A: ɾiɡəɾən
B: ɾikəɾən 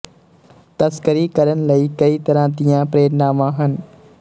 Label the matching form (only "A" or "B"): B